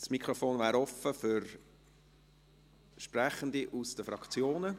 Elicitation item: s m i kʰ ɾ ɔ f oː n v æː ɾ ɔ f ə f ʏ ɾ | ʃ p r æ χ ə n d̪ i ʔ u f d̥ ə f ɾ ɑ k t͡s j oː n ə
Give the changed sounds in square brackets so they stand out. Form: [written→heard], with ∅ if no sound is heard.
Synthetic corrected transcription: s m i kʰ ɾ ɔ f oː n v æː ɾ ɔ f ə f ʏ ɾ | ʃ p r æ χ ə n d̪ i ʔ u [f→s] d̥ ə f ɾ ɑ k t͡s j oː n ə